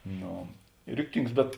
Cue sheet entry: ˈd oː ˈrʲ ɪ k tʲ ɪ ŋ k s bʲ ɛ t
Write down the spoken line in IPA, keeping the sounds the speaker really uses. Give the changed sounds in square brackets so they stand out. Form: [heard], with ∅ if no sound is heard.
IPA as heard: [ˈn] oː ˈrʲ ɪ k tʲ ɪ ŋ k s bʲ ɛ t